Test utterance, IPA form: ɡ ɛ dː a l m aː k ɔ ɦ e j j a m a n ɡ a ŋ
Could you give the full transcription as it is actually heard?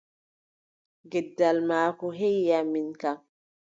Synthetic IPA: ɡ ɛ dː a l m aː k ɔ ɦ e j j a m i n k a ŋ